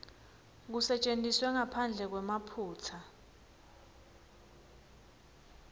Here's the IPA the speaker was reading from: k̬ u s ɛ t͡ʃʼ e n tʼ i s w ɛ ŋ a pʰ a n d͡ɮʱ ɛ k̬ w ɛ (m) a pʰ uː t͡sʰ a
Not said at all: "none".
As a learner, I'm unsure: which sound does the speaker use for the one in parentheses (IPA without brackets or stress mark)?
m